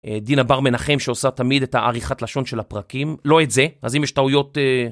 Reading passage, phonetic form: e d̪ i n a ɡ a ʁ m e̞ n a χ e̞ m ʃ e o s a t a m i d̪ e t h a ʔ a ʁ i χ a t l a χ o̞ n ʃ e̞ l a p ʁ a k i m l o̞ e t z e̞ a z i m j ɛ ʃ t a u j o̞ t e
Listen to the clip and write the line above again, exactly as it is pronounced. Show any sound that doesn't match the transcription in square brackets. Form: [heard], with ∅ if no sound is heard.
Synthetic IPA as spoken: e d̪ i n a [b] a ʁ m e̞ n a χ e̞ m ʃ e o s a t a m i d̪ e t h a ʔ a ʁ i χ a t l a [ʃ] o̞ n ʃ e̞ l a p ʁ a k i m l o̞ e t z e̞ a z i m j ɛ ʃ t a u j o̞ t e